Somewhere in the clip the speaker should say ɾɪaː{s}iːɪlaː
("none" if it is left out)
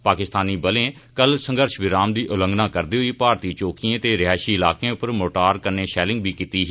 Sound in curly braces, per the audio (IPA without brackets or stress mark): ʃ